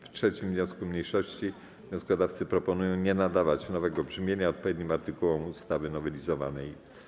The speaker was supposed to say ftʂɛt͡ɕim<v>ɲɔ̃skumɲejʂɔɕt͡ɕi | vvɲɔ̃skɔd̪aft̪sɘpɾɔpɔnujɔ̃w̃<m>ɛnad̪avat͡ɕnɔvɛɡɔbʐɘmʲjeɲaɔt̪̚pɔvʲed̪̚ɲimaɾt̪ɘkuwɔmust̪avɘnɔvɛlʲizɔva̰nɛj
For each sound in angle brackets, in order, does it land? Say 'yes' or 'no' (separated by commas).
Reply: yes, no